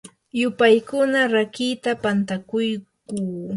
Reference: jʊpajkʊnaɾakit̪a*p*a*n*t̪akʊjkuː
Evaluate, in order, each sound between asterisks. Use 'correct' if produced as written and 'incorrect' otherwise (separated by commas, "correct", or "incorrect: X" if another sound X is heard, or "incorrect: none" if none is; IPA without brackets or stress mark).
correct, correct